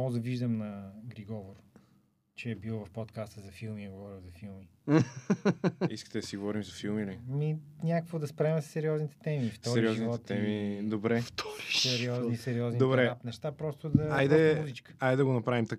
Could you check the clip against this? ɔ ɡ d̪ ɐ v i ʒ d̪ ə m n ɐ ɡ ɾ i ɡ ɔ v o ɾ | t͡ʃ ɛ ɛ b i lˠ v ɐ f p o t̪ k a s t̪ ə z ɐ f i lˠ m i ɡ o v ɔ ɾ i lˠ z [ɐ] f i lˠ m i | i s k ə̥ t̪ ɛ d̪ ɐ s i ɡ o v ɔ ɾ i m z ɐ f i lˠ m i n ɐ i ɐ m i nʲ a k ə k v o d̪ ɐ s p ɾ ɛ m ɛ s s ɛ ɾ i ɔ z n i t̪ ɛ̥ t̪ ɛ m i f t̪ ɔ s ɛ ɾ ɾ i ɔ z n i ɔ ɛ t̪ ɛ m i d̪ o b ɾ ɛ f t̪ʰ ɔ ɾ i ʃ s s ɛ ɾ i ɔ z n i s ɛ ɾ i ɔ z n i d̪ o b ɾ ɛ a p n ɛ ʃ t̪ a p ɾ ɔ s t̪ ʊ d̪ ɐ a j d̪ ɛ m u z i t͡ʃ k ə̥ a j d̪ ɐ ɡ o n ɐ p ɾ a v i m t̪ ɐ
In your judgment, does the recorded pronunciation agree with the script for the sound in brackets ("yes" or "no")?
yes